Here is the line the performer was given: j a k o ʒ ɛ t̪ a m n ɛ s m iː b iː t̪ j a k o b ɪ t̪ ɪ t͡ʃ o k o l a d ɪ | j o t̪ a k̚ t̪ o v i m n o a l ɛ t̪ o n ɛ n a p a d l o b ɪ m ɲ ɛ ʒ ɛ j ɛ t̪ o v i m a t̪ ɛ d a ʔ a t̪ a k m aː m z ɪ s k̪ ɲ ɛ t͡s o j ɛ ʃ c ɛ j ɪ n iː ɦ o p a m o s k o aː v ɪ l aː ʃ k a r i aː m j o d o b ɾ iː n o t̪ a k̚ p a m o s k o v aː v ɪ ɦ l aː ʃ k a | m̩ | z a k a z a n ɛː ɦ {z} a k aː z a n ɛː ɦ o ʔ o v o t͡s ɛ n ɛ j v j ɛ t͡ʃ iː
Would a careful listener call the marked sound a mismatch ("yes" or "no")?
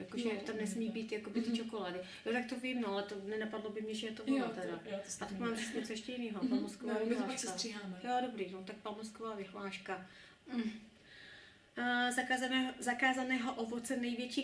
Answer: no